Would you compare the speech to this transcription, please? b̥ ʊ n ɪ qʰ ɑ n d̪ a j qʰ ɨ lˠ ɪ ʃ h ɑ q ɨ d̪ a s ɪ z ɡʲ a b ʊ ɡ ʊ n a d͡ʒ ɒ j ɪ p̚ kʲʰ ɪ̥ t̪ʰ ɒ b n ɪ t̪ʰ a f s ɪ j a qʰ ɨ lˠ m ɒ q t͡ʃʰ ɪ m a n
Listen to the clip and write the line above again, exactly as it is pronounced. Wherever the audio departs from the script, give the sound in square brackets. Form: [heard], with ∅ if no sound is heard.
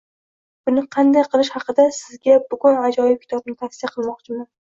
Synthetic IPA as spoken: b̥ ʊ n ɪ qʰ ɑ n d̪ a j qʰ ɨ lˠ ɪ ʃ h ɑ q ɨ d̪ a s ɪ z ɡʲ a b ʊ ɡ ʊ n a d͡ʒ ɒ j ɪ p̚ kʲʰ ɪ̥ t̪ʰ ɒ b n ɪ t̪ʰ a f s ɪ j a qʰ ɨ lˠ m ɒ q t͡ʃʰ ɪ m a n